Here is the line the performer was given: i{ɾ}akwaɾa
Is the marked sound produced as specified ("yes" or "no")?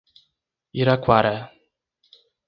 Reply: yes